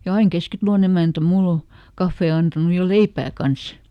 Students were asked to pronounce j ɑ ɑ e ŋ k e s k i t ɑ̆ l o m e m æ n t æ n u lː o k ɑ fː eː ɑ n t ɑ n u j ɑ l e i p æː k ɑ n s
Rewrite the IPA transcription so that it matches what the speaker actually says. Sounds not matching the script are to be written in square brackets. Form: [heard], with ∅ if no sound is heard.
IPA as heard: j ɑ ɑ [i] ŋ k e s k i t ɑ̆ l o [n] e m æ n t æ [m] u lː o k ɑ fː eː ɑ n t ɑ n u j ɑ l e i p æː k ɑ n s